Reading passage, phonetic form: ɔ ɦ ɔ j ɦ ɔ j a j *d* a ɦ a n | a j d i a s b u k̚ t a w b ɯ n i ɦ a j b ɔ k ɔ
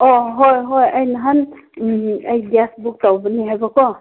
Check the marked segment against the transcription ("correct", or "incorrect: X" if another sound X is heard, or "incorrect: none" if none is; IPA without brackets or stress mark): incorrect: n